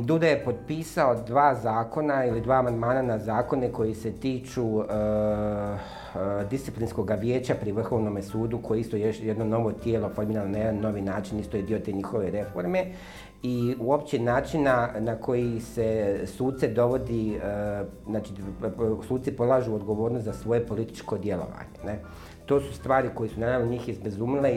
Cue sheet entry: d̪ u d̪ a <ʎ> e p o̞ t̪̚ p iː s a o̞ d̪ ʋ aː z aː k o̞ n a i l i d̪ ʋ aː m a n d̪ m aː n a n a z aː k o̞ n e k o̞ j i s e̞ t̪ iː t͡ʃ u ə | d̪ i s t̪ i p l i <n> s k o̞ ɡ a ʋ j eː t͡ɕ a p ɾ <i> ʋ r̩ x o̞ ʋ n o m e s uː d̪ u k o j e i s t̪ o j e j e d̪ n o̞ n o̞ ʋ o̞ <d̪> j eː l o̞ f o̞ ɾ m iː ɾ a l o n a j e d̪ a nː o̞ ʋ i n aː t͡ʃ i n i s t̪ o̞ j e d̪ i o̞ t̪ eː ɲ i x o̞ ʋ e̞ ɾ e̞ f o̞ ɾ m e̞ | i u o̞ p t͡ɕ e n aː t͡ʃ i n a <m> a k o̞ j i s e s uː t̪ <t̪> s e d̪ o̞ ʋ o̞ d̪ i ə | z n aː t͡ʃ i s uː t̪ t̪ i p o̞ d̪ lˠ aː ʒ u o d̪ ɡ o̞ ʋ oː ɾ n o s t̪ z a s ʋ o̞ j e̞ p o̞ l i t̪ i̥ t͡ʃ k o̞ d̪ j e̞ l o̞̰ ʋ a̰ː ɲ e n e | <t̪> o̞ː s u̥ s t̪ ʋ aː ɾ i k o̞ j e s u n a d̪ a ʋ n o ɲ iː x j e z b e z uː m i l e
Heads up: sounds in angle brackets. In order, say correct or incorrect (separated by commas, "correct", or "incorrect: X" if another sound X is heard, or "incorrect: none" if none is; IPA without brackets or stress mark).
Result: incorrect: j, correct, correct, incorrect: t̪, incorrect: n, correct, correct